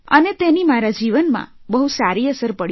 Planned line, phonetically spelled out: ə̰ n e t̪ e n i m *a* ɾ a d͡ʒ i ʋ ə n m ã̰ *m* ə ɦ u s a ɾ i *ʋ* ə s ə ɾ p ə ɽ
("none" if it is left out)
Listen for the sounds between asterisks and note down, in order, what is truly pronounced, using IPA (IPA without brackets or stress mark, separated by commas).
a, b, none